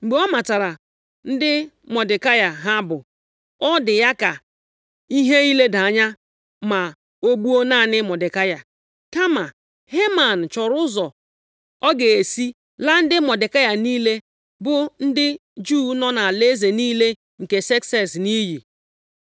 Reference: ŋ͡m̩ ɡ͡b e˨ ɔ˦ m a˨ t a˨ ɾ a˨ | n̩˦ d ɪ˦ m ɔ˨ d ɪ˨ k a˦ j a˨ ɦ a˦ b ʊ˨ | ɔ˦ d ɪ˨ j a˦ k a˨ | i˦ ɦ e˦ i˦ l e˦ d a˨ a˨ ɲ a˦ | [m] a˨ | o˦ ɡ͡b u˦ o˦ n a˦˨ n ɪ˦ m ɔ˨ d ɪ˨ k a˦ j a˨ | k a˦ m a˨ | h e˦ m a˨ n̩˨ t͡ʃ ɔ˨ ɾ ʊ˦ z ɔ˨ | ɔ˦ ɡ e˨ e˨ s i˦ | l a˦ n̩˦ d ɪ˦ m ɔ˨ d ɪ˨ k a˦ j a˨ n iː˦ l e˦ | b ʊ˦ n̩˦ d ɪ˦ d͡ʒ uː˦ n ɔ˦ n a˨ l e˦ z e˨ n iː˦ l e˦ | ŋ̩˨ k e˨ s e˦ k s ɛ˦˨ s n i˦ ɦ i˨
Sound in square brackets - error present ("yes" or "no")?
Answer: no